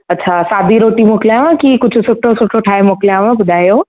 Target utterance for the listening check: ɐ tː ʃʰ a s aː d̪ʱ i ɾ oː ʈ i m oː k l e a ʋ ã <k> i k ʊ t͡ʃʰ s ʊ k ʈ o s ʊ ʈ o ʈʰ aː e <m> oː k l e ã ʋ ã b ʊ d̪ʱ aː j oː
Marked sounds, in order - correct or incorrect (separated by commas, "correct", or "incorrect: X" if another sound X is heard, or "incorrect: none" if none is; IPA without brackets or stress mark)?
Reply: correct, correct